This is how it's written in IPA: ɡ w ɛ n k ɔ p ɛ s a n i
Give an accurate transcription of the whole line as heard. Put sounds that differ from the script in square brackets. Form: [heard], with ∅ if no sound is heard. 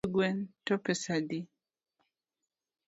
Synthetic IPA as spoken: ɡ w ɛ n [t] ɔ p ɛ s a [d] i